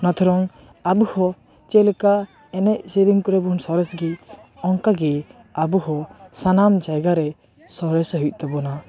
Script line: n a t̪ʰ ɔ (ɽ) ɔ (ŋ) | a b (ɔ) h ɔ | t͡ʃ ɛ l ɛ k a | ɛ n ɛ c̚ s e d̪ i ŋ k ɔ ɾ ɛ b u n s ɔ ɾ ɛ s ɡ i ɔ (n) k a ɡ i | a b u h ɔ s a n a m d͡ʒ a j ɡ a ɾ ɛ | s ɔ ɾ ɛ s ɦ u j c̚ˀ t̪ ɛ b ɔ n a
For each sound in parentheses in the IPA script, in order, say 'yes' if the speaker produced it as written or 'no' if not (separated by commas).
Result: no, yes, no, no